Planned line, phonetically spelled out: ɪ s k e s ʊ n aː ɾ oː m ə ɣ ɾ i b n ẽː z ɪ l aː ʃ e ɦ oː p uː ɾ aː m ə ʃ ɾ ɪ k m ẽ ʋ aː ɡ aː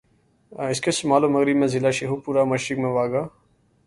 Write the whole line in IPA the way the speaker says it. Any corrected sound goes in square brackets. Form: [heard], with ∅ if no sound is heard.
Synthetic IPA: ɪ s k e s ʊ [m] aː [l] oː m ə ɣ ɾ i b [m] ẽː z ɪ l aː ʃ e ɦ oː p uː ɾ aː m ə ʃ ɾ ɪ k m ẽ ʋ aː ɡ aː